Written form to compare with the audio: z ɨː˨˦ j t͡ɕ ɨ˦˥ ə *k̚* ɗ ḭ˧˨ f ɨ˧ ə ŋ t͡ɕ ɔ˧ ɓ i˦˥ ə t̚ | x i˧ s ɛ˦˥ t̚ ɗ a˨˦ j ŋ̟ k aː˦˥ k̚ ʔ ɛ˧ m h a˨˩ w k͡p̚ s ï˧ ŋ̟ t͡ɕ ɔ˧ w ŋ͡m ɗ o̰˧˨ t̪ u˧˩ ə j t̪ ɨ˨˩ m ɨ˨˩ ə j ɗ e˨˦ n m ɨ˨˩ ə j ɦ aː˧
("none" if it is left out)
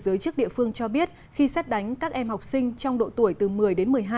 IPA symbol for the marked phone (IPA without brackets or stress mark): k̚